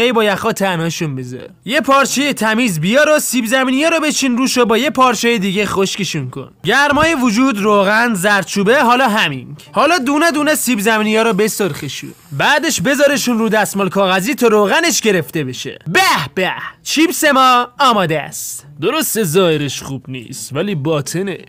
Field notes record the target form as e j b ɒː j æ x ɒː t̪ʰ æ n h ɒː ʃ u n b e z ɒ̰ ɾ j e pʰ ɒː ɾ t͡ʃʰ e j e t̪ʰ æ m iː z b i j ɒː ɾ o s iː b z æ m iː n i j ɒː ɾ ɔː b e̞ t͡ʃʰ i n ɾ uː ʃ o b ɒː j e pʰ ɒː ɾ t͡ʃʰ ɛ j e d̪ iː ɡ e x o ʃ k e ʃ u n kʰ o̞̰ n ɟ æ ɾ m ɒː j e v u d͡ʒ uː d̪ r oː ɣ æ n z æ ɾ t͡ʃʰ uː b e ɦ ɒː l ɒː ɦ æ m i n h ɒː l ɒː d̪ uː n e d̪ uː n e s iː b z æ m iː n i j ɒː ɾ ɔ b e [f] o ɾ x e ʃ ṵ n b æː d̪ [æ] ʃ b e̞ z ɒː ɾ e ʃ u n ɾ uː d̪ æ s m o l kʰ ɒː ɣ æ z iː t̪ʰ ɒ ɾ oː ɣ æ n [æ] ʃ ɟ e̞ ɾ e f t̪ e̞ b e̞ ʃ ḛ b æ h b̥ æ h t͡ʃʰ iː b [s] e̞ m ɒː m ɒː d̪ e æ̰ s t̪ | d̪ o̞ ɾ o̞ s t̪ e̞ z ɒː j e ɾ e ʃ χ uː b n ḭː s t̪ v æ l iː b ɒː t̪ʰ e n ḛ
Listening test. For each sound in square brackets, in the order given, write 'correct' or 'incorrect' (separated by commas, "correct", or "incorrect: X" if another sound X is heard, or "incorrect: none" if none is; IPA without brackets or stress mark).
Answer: incorrect: s, incorrect: e, incorrect: e, correct